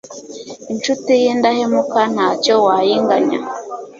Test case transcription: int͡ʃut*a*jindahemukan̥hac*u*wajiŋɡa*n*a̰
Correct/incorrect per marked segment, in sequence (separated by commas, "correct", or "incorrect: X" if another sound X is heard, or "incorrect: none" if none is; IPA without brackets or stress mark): incorrect: i, incorrect: o, incorrect: ɲ